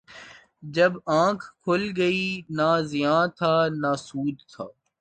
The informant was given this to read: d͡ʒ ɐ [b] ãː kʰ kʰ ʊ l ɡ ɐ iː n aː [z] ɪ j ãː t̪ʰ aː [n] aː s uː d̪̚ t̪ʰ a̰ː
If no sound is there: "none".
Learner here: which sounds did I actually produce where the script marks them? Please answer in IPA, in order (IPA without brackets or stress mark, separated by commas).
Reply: b, z, n